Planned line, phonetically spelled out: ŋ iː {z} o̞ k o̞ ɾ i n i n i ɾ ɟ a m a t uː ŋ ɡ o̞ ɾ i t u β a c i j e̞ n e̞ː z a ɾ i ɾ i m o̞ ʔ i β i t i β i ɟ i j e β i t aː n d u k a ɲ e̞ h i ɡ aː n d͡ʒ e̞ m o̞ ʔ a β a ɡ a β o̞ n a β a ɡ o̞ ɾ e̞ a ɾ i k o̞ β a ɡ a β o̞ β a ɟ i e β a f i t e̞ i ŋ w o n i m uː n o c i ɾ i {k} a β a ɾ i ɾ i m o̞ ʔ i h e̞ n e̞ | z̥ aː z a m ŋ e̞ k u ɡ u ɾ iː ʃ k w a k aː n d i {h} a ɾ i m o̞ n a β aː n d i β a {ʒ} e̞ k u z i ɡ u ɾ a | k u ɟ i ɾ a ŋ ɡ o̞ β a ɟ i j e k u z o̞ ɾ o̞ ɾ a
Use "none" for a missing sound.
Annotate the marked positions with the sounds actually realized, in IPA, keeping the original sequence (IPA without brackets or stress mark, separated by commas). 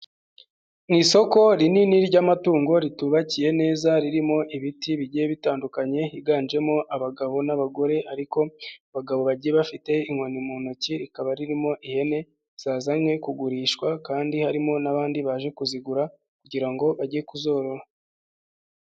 s, k, h, ʒ